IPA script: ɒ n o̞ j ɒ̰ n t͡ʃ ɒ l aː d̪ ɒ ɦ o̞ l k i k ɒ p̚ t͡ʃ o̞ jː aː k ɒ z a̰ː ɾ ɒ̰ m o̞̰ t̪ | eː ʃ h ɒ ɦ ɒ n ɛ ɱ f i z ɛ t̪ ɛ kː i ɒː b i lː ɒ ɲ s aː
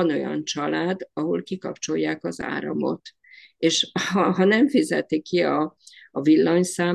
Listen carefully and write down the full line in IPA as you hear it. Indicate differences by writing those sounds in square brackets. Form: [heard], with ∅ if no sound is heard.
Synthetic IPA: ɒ n o̞ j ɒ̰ n t͡ʃ ɒ l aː d̪ ɒ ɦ o̞ l k i k ɒ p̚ t͡ʃ o̞ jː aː k ɒ z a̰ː ɾ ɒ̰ m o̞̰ t̪ | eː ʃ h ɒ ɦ ɒ n ɛ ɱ f i z ɛ t̪ [i] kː i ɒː [v] i lː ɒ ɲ s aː